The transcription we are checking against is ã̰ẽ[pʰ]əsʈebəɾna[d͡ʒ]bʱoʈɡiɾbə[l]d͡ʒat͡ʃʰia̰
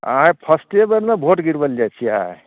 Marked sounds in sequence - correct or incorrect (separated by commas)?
correct, incorrect, correct